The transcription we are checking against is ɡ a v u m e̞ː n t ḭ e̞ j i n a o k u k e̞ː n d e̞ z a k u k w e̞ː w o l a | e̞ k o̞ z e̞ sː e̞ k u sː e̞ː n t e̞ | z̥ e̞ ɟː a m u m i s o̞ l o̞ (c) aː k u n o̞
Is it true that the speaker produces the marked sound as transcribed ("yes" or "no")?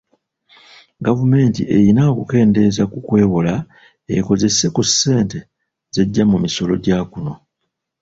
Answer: no